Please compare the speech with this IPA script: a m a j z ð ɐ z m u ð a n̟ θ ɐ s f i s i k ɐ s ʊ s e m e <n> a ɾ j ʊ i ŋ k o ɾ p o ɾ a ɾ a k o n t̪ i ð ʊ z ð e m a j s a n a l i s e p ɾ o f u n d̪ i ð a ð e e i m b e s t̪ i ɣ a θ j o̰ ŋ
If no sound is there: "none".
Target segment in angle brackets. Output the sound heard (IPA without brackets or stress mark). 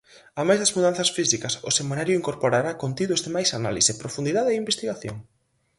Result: n